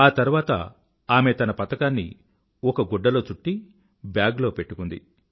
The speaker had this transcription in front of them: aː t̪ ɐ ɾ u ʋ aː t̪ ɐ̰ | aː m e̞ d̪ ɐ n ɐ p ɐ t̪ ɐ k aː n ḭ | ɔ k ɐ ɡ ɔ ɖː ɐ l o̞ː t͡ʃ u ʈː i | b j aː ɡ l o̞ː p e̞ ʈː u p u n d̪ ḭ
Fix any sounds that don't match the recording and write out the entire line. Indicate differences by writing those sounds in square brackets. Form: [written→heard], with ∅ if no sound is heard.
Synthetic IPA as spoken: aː t̪ ɐ ɾ u ʋ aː t̪ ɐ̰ | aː m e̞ [d̪→t̪] ɐ n ɐ p ɐ t̪ ɐ k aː [n→nː] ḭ | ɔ k ɐ ɡ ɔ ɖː ɐ l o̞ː t͡ʃ u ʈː i | b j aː ɡ l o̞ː p e̞ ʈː u [p→k] u n d̪ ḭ

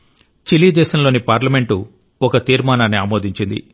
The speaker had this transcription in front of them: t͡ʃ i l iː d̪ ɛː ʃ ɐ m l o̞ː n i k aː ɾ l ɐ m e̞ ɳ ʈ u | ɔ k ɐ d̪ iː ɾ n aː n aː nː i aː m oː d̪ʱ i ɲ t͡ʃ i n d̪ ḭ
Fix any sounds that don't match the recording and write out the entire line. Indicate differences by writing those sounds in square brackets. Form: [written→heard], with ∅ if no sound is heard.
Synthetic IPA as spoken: t͡ʃ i l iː d̪ ɛː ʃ ɐ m l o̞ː n i [k→p] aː ɾ l ɐ m e̞ ɳ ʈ u | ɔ k ɐ [d̪→t̪] iː ɾ [n→m] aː n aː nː i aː m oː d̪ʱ i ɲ t͡ʃ i n d̪ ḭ

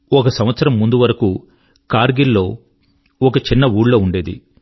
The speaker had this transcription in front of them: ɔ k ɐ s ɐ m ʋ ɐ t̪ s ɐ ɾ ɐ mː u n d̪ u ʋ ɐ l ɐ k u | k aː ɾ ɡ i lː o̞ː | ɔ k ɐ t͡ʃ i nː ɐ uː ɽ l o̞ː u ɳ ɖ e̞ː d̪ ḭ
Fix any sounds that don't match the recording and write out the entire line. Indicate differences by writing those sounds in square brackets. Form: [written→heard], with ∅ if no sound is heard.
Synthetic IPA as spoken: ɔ k ɐ s ɐ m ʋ ɐ t̪ s ɐ ɾ ɐ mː u n d̪ u ʋ ɐ [l→ɾ] ɐ k u | k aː ɾ ɡ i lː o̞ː | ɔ k ɐ t͡ʃ i nː ɐ uː ɽ l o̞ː u ɳ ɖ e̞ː d̪ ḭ

